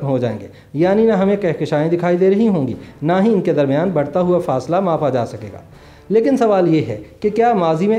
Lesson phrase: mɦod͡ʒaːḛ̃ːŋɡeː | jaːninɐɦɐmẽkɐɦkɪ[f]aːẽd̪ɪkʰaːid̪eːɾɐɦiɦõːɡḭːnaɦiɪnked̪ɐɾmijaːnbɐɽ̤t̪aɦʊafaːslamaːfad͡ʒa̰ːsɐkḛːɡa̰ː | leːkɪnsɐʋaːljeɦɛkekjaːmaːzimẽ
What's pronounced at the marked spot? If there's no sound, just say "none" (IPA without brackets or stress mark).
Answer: ʃ